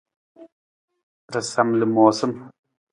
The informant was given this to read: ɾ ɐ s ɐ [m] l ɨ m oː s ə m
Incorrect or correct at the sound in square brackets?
correct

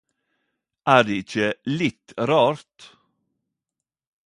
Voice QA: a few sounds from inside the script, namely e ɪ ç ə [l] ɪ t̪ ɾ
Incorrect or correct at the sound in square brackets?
correct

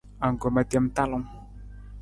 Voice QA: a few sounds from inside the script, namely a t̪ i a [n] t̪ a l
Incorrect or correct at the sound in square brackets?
incorrect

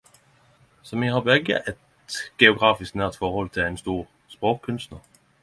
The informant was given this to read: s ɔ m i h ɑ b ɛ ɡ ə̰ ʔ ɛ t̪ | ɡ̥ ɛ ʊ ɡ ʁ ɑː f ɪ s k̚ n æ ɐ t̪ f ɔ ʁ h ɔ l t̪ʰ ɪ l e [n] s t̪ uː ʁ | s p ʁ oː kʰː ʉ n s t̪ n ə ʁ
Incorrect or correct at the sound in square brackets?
correct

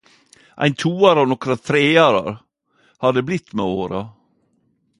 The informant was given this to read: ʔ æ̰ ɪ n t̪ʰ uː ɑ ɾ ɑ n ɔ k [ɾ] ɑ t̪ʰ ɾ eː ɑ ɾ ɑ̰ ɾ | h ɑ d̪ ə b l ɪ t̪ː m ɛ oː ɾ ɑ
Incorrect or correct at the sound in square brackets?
correct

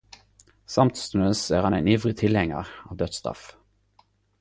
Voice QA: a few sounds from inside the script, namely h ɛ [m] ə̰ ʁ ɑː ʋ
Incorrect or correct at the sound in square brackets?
incorrect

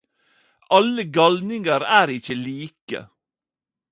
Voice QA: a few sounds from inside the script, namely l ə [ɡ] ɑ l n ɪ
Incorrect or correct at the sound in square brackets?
correct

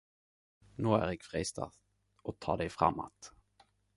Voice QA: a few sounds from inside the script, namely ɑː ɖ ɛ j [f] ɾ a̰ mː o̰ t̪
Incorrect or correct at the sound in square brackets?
correct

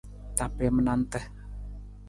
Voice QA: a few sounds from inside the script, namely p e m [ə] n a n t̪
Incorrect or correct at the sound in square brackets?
correct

